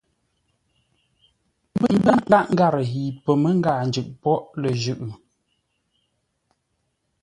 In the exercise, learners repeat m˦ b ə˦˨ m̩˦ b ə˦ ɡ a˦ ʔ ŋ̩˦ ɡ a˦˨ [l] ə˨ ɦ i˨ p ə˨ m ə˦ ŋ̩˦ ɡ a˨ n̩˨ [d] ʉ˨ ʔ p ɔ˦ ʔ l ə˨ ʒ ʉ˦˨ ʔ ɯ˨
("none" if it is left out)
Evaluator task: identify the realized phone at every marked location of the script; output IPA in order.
ɾ, d͡ʒ

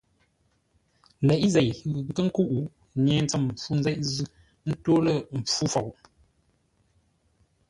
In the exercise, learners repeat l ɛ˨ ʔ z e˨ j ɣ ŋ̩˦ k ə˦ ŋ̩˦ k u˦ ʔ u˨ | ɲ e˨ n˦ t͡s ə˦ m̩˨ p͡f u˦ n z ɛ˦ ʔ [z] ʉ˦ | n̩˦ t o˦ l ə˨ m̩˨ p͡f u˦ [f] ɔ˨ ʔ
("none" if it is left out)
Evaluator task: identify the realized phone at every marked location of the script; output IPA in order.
z, f

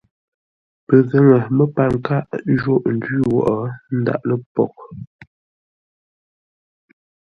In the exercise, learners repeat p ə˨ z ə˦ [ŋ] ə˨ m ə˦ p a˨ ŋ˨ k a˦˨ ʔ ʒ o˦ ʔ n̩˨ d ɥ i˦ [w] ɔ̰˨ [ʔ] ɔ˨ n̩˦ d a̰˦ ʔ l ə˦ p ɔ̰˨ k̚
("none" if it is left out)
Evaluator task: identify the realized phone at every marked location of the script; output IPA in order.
ŋ, w, ʔ

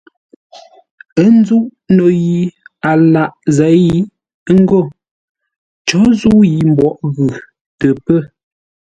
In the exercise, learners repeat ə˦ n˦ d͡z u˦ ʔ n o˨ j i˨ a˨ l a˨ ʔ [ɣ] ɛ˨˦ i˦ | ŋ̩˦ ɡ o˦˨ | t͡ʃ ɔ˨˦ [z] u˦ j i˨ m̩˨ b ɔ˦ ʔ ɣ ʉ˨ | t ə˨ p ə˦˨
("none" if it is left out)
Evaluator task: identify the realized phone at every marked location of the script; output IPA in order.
z, z

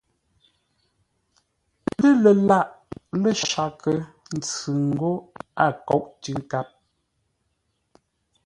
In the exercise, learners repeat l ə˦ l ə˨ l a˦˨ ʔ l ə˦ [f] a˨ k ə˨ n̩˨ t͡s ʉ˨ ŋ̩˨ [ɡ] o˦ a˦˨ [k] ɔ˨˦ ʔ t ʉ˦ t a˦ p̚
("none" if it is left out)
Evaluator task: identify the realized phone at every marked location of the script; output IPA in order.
ʃ, ɡ, k

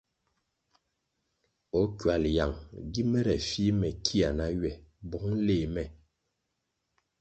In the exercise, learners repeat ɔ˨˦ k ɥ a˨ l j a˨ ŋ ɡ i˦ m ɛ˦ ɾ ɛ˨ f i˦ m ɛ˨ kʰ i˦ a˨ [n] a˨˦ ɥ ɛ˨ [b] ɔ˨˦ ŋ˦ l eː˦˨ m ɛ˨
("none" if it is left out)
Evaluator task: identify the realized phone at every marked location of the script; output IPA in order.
n, b

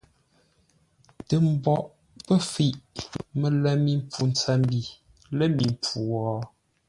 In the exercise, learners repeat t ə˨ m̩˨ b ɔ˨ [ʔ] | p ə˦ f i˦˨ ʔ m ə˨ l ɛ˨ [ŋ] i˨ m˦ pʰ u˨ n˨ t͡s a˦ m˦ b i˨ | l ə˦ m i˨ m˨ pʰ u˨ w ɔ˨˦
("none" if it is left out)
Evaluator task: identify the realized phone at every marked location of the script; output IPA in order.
ʔ, m

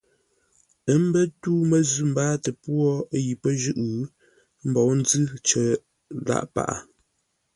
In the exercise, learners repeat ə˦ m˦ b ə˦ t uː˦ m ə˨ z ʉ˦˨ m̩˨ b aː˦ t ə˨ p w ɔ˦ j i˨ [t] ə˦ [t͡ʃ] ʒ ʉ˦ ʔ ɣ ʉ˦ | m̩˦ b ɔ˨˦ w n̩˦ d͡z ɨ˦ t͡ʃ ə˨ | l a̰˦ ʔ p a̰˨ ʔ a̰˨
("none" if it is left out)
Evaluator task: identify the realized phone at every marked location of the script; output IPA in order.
p, none

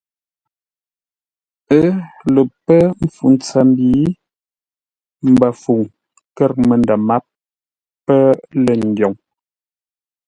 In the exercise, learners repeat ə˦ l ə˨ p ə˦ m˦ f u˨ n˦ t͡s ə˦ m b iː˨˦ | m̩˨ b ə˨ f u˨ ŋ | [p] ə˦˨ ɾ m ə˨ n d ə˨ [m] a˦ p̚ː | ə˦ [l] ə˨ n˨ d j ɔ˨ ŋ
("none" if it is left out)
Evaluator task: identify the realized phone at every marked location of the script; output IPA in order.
k, m, l

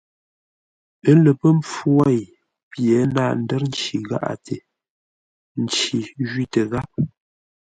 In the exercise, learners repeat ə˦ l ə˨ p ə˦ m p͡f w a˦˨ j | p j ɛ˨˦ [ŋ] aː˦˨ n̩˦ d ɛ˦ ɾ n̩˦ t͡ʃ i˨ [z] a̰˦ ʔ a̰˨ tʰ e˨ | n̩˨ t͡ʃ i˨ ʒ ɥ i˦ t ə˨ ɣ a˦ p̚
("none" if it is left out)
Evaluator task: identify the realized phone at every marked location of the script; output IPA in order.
n, ɣ

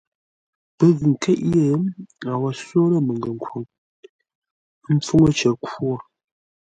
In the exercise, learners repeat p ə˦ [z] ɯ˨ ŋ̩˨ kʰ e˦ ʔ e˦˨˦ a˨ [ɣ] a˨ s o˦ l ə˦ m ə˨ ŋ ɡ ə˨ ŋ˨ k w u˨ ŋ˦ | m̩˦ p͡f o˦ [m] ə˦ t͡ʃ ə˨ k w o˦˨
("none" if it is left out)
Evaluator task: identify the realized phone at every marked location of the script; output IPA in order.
ɣ, w, ŋ

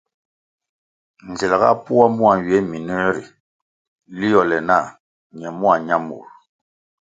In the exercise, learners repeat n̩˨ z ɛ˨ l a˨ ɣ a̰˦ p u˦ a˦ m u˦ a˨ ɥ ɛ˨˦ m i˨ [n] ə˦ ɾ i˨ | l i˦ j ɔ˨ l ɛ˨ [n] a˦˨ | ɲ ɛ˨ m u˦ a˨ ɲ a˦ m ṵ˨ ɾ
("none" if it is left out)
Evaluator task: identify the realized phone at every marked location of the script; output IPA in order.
n, n

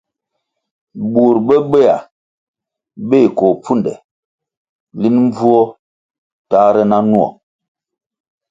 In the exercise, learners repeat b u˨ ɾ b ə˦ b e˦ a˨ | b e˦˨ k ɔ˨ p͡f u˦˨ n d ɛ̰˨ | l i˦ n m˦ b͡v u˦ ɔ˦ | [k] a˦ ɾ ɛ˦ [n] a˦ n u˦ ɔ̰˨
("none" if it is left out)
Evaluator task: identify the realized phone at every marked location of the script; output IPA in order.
t, n

